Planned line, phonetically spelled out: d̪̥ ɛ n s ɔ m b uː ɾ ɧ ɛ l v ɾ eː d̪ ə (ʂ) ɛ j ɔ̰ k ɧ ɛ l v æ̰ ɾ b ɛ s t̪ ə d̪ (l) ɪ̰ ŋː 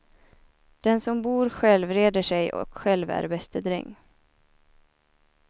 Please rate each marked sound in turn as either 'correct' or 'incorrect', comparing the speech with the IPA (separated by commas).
correct, incorrect